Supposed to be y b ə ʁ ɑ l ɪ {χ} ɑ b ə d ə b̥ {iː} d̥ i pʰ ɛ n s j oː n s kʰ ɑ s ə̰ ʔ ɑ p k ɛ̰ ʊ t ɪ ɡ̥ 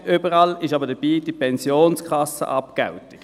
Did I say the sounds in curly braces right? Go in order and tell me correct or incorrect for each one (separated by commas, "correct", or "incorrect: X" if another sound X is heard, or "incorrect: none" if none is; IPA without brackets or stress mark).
incorrect: ʃ, correct